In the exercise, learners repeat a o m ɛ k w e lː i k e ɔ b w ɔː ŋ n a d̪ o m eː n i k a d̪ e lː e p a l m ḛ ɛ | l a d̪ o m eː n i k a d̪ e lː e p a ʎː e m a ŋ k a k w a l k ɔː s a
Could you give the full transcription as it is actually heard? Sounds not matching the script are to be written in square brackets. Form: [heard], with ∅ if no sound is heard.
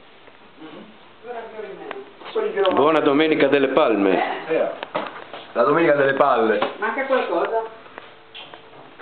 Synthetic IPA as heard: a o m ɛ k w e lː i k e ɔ b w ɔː [∅] n a d̪ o m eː n i k a d̪ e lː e p a l m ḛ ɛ | l a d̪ o m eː n i k a d̪ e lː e p a [lː] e m a ŋ k a k w a l k ɔː [z] a

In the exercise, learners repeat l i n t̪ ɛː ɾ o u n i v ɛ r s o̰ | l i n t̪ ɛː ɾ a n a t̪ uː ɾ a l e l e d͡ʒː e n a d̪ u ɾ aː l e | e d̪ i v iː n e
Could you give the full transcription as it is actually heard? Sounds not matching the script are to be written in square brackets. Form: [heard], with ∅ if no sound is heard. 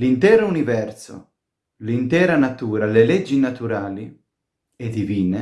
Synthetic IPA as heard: l i n t̪ ɛː ɾ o u n i v ɛ r s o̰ | l i n t̪ ɛː ɾ a n a t̪ uː ɾ a l e l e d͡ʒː [i] n a [t̪] u ɾ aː l [i] | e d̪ i v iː n e

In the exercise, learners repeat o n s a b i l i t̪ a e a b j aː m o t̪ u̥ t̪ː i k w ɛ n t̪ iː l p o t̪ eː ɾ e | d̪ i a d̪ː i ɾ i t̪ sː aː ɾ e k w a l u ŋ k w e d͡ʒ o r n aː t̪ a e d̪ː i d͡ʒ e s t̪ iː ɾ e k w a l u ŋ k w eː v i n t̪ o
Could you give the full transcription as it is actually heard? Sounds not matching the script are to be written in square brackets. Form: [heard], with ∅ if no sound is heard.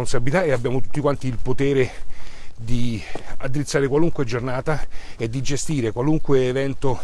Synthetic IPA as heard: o n s a b i l i t̪ a e a b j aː m o t̪ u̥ t̪ː i k w [a] n t̪ iː l p o t̪ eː ɾ e | d̪ i a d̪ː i ɾ i t̪ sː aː ɾ e k w a l u ŋ k w e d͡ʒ o r n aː t̪ a e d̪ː i d͡ʒ e s t̪ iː ɾ e k w a l u ŋ k w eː v [ɛ] n t̪ o

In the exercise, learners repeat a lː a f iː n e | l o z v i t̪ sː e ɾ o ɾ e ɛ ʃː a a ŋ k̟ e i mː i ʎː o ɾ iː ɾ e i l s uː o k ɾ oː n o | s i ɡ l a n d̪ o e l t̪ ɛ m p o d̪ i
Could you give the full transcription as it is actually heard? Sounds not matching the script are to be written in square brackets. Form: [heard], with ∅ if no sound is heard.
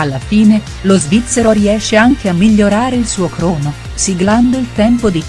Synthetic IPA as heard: a lː a f iː n e | l o z v i t̪ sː e ɾ o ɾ [i] ɛ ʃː [e] a ŋ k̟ e [a] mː i ʎː o ɾ [aː] ɾ e i l s uː o k ɾ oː n o | s i ɡ l a n d̪ o [i] l t̪ ɛ m p o d̪ i

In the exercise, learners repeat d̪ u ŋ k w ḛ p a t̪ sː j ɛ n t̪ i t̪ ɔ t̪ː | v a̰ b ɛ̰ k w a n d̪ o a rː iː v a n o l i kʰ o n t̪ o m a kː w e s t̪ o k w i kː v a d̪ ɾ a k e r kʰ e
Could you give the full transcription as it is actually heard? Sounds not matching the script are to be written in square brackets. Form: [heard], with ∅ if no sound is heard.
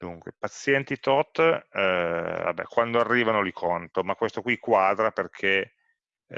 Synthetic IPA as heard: d̪ u ŋ k w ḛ p a t̪ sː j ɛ n t̪ i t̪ ɔ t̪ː | v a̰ b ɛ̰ k w a n d̪ o a rː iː v a n o l i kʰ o n t̪ o m a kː w e s t̪ o k w i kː [w] a d̪ ɾ a [p] e r kʰ e

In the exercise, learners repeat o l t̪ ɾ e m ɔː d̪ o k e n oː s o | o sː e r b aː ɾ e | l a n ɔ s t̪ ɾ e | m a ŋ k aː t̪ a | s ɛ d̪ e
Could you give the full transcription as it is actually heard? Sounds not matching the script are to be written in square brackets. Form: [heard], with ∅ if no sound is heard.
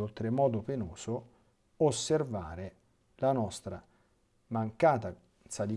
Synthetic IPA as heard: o l t̪ ɾ e m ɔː d̪ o [p] e n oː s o | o sː e r [v] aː ɾ e | l a n ɔ s t̪ ɾ [a] | m a ŋ k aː t̪ a | s [a] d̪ [i]

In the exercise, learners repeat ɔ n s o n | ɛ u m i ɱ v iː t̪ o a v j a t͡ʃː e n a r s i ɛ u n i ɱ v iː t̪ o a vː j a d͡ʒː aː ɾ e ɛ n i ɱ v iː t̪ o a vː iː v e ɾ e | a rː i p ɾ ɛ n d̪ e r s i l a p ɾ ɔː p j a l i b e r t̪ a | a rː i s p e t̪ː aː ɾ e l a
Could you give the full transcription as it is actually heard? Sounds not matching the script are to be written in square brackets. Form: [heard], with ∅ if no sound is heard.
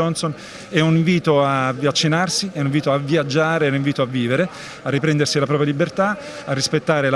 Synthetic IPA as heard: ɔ n s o n | ɛ u [n] i ɱ v iː t̪ o a v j a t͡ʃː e n a r s i ɛ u n i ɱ v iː t̪ o a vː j a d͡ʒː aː ɾ e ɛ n i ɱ v iː t̪ o a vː iː v e ɾ e | a rː i p ɾ ɛ n d̪ e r s i l a p ɾ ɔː p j a l i b e r t̪ a | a rː i s p e t̪ː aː ɾ e l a

